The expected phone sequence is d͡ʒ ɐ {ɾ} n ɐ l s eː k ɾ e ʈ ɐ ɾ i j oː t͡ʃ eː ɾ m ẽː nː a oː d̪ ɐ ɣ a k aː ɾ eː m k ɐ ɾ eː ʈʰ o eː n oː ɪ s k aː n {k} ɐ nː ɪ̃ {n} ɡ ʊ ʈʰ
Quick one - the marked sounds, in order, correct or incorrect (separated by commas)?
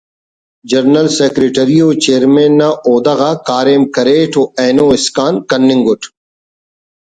correct, correct, incorrect